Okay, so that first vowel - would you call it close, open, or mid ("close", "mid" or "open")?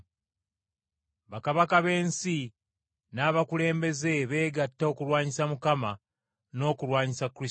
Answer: open